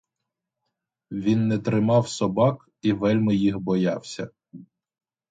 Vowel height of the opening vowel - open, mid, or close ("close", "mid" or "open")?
close